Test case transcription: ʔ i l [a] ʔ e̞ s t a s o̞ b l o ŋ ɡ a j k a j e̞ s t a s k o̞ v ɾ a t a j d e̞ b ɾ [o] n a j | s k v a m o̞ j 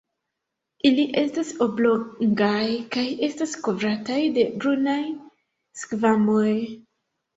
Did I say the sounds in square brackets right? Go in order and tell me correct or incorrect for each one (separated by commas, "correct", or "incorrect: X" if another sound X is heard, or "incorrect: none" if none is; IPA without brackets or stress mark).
incorrect: i, incorrect: u